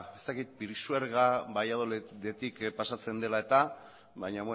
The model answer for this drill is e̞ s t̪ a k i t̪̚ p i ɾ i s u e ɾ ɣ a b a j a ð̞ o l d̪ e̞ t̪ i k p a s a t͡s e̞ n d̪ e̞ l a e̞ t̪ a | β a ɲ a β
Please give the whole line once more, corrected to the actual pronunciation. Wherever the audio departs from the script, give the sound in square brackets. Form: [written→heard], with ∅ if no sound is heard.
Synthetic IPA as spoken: e̞ s t̪ a k i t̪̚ p i ɾ i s u e ɾ ɣ a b a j a ð̞ o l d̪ e̞ t̪ i k p a s a t͡s e̞ n d̪ e̞ l a e̞ t̪ a | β a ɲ a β